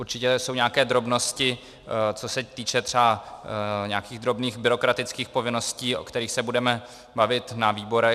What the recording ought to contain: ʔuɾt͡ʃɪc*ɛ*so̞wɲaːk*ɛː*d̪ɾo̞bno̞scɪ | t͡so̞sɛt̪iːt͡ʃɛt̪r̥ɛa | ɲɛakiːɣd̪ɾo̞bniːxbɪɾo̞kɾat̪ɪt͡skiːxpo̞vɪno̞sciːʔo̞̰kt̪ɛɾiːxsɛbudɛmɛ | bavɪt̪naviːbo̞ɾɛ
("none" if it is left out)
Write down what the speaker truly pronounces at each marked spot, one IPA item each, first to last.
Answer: ɛ, ɛː

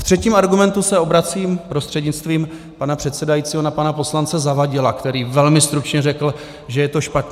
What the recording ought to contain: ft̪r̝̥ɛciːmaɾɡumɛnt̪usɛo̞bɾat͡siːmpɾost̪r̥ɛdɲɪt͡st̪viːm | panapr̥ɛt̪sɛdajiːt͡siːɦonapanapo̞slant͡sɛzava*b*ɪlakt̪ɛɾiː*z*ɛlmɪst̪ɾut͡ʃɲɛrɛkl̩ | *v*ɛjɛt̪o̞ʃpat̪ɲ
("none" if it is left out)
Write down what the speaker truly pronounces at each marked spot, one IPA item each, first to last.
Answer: ɟ, v, ʒ

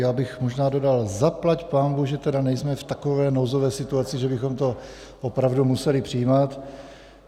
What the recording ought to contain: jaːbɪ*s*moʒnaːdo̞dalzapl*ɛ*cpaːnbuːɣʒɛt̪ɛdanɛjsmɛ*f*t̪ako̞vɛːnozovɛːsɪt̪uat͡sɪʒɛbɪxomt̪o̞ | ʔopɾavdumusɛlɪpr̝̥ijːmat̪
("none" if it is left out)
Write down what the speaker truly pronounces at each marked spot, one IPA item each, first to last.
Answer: x, a, f

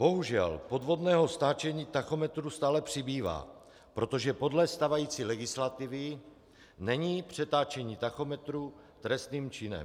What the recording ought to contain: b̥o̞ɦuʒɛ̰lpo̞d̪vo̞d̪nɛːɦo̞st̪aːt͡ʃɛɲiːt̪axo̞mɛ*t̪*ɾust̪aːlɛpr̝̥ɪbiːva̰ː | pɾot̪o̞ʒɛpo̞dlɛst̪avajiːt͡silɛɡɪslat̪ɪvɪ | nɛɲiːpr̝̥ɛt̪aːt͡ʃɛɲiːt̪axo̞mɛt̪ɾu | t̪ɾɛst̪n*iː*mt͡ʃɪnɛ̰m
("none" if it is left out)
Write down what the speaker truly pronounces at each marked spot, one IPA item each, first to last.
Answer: t̪, iː

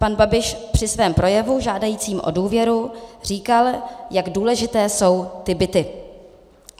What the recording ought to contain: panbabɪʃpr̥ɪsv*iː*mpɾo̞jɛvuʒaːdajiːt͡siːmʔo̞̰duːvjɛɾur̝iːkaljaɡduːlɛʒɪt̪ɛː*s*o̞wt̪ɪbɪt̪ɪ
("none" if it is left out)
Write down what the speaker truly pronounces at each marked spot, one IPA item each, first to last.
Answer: ɛː, s

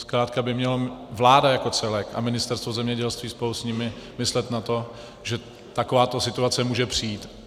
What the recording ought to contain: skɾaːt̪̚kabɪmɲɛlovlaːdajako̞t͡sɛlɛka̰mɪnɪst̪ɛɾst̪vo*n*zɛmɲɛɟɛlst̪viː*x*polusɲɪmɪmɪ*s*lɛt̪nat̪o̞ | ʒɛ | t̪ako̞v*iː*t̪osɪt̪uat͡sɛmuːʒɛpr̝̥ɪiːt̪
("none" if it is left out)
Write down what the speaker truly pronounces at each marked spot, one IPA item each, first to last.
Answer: none, s, s, aː

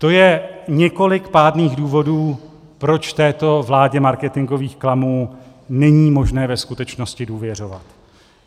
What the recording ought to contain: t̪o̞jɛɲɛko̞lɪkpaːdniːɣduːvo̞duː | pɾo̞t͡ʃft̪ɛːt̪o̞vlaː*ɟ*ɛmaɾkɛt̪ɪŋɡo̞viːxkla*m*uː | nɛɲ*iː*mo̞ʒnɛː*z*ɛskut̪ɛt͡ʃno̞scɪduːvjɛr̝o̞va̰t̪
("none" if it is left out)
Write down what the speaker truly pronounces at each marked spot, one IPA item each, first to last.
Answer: ɟ, m, iː, v

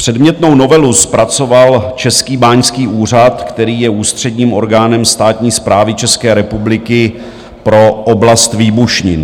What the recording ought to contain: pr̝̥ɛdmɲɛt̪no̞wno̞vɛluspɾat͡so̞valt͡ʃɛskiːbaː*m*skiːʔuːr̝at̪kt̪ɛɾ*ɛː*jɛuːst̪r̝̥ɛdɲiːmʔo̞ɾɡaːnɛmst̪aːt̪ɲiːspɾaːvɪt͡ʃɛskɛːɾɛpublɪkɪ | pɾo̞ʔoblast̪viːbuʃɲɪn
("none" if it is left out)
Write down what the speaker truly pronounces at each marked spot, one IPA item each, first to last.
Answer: ɲ, iː

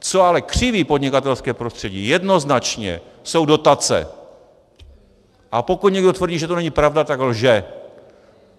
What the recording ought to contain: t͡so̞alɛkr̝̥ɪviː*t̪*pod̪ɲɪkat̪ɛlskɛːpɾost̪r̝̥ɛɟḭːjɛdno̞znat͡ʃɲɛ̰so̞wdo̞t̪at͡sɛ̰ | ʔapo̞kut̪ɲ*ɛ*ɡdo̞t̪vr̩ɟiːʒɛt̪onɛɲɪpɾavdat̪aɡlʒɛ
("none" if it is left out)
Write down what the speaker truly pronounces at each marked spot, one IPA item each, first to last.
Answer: none, ɛ

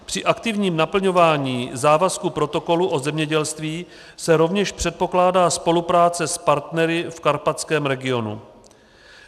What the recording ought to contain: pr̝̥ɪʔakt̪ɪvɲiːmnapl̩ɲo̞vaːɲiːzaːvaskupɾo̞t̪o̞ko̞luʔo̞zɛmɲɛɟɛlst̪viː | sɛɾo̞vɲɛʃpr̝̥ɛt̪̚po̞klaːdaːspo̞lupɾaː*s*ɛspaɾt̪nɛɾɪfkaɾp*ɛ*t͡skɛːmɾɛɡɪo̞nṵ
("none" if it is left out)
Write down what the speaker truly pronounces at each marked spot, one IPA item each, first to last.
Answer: t͡s, a

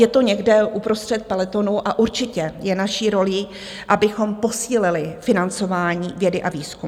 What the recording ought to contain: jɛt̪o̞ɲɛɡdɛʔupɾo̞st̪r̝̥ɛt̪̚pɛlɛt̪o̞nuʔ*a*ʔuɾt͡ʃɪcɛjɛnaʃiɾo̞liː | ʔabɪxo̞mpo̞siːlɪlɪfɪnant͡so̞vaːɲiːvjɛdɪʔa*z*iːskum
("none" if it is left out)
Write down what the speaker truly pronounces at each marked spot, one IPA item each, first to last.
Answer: a, v

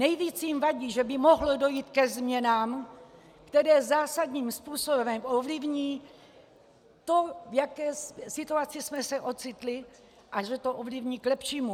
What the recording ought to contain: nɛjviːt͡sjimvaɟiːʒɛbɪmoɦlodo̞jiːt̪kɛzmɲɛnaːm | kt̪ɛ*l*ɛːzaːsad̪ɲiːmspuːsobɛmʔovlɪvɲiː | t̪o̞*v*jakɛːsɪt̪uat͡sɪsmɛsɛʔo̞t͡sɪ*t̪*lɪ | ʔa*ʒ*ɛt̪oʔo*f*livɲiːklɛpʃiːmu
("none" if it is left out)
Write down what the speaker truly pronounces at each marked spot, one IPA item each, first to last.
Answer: ɾ, v, t̪, ʒ, v

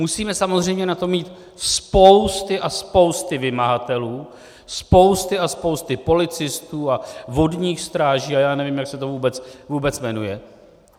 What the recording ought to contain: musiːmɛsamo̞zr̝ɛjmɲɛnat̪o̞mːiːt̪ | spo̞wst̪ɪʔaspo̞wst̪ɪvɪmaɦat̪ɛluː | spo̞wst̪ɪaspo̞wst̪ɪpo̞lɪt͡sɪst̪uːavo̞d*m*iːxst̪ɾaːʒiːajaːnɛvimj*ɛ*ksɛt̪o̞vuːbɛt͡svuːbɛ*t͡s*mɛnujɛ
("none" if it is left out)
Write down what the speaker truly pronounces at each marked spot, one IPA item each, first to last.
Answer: ɲ, a, t͡s

